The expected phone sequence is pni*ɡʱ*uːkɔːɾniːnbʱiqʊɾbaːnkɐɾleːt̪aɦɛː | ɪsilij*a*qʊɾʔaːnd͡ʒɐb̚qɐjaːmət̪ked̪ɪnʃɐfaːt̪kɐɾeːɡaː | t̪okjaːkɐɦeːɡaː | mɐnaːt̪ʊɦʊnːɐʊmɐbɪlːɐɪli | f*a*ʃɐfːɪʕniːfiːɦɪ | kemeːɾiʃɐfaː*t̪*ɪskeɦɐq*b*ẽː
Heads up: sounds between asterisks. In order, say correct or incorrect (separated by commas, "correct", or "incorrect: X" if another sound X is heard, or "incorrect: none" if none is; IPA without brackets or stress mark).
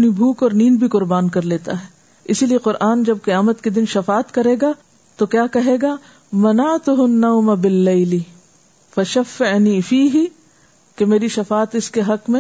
incorrect: bʱ, incorrect: e, incorrect: ɐ, correct, incorrect: m